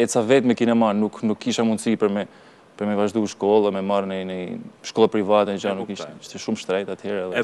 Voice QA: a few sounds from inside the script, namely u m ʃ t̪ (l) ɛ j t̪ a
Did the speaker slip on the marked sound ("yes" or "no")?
yes